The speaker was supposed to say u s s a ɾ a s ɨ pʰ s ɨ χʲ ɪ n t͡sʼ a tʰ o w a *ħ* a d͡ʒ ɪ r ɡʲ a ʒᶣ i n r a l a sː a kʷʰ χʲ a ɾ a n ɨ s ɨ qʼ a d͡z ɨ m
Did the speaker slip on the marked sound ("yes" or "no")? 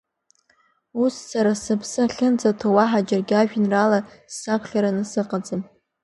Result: no